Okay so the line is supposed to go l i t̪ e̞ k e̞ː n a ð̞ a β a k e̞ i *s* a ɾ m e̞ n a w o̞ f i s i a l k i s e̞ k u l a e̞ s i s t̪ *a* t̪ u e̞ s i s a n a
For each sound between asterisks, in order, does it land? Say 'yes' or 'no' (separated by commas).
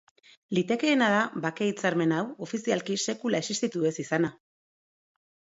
no, no